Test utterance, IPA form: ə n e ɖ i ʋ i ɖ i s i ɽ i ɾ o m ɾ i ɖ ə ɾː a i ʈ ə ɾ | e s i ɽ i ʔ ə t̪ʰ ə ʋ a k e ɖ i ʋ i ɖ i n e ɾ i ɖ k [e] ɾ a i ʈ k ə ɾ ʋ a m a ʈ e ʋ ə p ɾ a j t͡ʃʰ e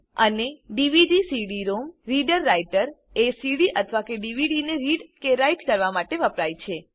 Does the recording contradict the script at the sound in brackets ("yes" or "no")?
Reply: no